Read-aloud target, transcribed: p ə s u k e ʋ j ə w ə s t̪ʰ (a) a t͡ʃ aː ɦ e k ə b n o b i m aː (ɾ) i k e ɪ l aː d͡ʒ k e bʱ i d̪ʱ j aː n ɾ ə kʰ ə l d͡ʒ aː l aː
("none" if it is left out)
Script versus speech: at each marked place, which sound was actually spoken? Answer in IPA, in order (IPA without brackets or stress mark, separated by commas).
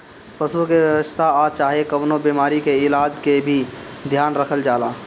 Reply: a, ɾ